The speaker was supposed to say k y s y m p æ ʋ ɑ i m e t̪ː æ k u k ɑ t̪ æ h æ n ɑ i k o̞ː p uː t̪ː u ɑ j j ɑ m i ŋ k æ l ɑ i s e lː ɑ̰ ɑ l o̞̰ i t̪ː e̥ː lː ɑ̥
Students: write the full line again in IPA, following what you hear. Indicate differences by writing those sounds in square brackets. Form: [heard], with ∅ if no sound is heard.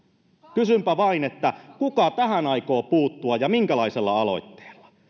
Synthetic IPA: k y s y m p æ ʋ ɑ i [n] e t̪ː æ k u k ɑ t̪ æ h æ n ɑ i k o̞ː p uː t̪ː u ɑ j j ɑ m i ŋ k æ l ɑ i s e lː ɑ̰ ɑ l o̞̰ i t̪ː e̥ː lː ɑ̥